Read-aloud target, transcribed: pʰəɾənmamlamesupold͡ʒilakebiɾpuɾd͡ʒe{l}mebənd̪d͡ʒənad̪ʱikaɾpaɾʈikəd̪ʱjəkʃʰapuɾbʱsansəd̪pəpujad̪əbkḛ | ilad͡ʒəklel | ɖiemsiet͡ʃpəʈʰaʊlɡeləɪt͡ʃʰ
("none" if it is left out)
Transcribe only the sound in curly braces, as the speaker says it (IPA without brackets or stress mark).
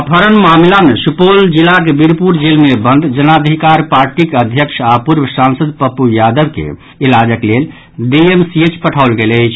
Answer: l